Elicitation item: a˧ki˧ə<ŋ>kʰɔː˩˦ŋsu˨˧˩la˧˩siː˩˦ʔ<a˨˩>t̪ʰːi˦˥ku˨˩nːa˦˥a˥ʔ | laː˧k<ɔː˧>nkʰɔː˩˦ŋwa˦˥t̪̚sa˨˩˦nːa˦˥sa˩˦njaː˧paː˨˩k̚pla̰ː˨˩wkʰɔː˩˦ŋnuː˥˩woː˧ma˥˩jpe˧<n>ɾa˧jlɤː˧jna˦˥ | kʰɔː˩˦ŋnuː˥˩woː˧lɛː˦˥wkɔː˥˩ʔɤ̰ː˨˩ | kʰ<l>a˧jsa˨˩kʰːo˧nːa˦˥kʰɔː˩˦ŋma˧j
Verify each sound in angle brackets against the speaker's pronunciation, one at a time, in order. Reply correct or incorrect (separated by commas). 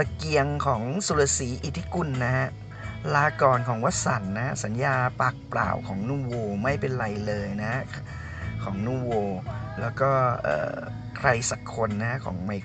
correct, incorrect, incorrect, correct, incorrect